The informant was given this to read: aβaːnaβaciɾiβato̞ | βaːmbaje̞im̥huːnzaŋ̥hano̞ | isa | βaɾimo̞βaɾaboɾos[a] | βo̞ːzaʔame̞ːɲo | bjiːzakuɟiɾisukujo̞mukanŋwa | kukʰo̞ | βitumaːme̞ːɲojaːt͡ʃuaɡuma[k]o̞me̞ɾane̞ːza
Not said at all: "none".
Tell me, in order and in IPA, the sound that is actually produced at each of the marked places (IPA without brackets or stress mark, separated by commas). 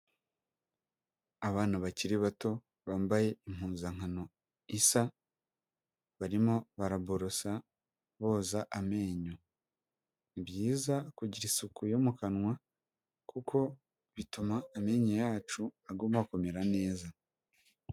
a, k